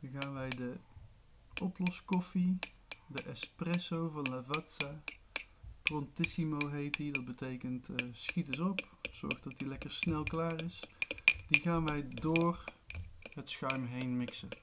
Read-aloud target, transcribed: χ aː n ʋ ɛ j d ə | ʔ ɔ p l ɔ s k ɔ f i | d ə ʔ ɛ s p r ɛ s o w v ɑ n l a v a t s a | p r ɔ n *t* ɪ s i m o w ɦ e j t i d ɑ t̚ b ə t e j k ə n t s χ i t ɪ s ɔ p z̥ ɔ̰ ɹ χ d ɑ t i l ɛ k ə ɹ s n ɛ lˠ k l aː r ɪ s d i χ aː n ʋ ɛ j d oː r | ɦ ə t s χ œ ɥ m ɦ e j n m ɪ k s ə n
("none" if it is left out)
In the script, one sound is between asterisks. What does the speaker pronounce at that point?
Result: t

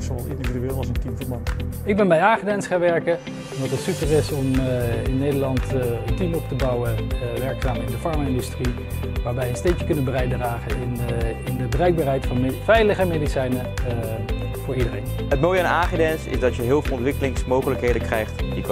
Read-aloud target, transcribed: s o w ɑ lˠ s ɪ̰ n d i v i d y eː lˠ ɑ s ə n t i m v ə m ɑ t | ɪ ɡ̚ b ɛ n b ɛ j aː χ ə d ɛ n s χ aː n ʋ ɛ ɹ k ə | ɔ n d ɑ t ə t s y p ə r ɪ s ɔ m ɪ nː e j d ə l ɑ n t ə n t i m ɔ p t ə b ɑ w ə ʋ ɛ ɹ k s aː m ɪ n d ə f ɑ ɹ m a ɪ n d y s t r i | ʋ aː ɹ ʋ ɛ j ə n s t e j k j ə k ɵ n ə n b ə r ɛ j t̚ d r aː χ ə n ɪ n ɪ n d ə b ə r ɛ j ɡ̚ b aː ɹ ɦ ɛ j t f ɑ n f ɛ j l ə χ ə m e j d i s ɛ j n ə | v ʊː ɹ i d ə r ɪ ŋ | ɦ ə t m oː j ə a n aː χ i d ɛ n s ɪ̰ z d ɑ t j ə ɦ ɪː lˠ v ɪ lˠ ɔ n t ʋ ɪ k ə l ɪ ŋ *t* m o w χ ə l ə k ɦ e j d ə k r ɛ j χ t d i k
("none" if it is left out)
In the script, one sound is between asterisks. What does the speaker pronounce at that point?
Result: s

